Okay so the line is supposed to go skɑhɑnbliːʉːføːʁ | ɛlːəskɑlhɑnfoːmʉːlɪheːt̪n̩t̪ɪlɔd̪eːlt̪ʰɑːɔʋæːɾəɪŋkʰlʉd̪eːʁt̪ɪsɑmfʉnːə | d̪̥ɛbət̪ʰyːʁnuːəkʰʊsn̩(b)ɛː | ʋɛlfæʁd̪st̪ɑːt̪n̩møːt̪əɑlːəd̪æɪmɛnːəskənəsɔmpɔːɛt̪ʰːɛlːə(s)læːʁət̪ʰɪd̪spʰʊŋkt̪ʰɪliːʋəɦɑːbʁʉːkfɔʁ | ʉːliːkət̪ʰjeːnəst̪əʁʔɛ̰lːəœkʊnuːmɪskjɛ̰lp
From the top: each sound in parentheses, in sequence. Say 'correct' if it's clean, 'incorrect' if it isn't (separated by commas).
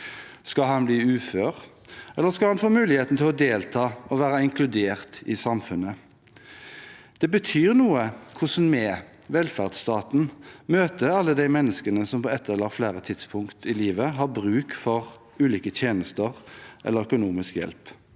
incorrect, incorrect